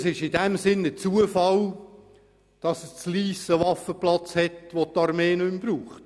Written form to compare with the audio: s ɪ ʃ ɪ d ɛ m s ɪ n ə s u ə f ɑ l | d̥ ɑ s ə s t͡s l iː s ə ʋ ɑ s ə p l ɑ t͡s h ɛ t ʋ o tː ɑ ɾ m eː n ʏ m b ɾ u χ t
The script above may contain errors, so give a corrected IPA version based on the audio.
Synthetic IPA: s ɪ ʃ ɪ d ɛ m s ɪ n ə t͡s u ə f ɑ l | d̥ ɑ s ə s t͡s l iː s ə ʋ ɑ f ə p l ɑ t͡s h ɛ t ʋ o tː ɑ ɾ m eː n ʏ m b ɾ uː χ t